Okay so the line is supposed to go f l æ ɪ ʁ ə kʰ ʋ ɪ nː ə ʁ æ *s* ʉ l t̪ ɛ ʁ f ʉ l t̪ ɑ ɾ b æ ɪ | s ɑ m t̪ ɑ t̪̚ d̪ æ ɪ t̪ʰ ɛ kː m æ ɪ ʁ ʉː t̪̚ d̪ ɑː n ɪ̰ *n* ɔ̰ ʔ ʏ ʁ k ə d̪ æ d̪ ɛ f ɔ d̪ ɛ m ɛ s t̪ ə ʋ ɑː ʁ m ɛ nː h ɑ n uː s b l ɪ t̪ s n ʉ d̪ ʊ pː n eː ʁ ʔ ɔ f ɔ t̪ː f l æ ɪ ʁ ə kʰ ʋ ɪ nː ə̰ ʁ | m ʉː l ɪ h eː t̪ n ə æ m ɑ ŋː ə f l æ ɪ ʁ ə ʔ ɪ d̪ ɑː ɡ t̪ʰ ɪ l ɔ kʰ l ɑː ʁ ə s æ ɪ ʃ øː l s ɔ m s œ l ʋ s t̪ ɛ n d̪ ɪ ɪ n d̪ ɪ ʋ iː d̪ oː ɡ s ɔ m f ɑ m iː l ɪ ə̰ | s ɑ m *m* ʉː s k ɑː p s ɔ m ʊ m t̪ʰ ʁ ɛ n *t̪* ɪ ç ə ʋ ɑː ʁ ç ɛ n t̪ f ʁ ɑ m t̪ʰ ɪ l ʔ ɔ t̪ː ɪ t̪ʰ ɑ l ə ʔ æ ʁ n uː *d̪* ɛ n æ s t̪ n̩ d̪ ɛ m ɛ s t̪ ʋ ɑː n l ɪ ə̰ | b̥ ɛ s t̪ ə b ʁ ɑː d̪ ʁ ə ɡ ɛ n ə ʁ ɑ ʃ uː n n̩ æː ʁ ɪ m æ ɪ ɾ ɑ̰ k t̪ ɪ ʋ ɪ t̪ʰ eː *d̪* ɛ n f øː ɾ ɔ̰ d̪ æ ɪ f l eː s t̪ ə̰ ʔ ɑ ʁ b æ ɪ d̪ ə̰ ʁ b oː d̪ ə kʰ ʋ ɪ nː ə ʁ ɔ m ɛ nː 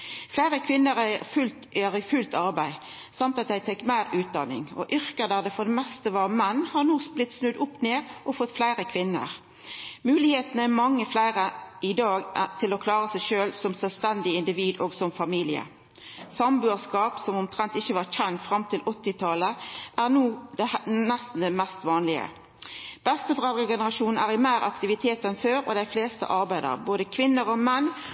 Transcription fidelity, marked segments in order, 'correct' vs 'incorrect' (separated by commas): incorrect, incorrect, incorrect, correct, correct, incorrect